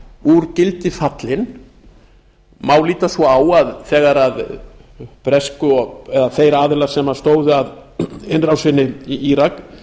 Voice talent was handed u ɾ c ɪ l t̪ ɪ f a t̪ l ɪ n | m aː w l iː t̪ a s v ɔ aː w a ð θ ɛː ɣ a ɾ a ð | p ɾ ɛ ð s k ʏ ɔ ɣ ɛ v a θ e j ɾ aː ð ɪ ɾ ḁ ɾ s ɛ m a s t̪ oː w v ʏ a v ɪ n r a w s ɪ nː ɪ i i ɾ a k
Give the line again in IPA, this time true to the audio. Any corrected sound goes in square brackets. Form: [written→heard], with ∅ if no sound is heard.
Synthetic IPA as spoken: u ɾ c ɪ l t̪ ɪ f a t̪ l ɪ n | m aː w l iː t̪ a s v ɔ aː w a ð θ ɛː ɣ a ɾ a ð | p ɾ ɛ [ð→∅] s k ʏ ɔ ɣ ɛ [v→ð] a θ e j ɾ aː ð ɪ [ɾ→l] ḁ [ɾ→∅] s ɛ m a s t̪ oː w [v→ð] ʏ a [v→ð] ɪ n r a w s ɪ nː ɪ i i ɾ a k